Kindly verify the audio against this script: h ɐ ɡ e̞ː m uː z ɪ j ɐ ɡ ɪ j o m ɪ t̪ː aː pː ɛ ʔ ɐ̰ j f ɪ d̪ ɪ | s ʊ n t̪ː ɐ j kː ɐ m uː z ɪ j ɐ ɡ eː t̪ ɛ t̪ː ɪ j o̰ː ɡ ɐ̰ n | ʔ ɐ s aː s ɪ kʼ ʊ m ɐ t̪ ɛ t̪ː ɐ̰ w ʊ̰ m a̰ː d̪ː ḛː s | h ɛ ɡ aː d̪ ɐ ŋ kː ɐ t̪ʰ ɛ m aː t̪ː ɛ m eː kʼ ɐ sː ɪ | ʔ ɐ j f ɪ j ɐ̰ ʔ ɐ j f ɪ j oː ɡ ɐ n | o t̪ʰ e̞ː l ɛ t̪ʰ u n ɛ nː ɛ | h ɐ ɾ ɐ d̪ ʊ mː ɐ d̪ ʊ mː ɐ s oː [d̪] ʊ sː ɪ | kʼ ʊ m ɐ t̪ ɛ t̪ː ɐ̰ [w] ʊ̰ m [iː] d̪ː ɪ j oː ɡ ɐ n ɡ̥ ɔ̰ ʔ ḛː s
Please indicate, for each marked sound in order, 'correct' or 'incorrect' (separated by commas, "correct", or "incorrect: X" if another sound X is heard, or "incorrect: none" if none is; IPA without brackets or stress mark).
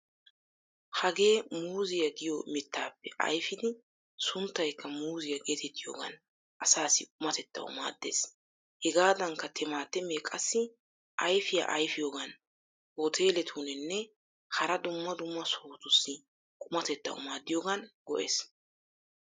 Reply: incorrect: t̪, correct, incorrect: aː